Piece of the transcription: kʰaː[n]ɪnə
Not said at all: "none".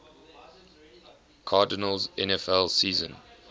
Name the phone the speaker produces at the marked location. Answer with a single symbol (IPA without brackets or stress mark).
d